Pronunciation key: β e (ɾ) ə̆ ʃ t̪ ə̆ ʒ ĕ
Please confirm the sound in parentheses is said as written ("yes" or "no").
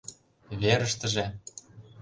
yes